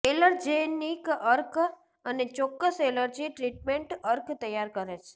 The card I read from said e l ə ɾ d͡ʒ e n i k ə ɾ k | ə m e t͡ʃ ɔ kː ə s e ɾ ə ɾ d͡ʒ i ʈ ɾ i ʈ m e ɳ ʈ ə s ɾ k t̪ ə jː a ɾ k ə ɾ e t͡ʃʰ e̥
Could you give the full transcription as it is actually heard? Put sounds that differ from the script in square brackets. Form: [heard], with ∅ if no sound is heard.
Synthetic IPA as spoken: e l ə ɾ d͡ʒ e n i k ə ɾ k | ə [n] e t͡ʃ ɔ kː ə s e [l] ə ɾ d͡ʒ i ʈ ɾ i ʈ m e ɳ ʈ ə [∅] ɾ k t̪ ə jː a ɾ k ə ɾ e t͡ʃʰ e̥